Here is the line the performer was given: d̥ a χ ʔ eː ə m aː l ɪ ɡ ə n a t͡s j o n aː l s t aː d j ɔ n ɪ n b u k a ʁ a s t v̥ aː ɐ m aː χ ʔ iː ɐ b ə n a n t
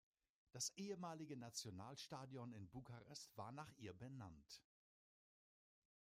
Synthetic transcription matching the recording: d̥ a s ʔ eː ə m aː l ɪ ɡ ə n a t͡s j o n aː l ʃ t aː d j ɔ n ɪ n b u k a ʁ ɛ s t v̥ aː ɐ n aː χ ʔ iː ɐ b ə n a n t